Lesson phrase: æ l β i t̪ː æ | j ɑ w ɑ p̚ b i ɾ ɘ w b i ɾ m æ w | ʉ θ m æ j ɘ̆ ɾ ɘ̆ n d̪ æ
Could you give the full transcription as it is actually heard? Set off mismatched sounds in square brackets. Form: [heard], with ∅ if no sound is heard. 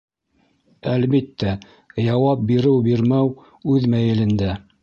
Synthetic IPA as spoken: æ l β i t̪ː æ | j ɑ w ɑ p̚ b i ɾ ɘ w b i ɾ m æ w | ʉ [ð] m æ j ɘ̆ [l] ɘ̆ n d̪ æ